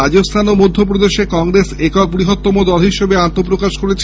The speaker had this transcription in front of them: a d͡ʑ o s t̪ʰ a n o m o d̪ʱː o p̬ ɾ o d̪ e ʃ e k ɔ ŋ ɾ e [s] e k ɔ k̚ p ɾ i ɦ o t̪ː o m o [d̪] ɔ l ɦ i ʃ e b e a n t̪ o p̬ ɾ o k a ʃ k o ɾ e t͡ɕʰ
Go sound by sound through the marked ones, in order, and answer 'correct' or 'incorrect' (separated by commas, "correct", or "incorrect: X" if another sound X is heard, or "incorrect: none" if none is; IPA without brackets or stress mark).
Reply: correct, correct